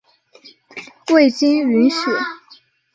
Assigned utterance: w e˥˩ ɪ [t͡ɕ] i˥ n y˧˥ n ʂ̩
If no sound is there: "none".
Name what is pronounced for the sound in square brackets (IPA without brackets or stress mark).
t͡ɕ